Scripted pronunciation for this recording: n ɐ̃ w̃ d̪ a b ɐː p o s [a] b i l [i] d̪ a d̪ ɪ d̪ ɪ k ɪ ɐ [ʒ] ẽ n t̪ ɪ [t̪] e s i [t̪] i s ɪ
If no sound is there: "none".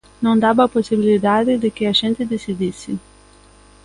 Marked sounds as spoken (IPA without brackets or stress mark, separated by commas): i, i, ʒ, d̪, d̪